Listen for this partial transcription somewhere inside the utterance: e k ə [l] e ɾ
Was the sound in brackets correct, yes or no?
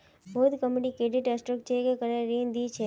no